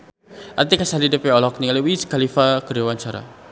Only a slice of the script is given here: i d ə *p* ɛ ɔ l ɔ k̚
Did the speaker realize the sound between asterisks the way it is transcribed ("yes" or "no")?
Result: yes